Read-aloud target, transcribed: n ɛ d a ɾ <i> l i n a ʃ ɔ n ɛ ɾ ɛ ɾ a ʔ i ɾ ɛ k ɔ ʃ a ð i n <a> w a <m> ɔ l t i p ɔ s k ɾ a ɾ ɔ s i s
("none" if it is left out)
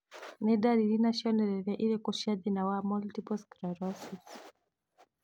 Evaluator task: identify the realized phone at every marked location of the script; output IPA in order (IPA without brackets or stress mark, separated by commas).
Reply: i, a, m